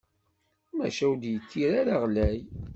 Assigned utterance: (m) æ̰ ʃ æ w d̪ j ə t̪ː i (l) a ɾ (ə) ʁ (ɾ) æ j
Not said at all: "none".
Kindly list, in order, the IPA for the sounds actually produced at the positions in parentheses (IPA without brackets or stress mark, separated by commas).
m, ɾ, a, l